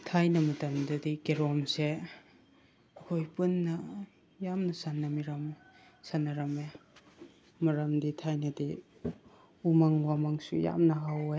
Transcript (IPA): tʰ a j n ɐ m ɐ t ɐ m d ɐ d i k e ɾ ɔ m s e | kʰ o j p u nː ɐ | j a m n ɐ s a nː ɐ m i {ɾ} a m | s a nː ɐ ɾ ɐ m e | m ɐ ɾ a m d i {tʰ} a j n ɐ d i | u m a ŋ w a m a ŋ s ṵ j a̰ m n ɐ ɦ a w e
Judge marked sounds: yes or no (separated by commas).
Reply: yes, yes